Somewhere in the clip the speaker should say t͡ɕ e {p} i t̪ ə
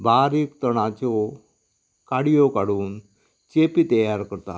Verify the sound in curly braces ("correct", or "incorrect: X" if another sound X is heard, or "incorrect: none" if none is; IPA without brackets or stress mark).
correct